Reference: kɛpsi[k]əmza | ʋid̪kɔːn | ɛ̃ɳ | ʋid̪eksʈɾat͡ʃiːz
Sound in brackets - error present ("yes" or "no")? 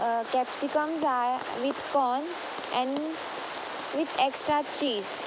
no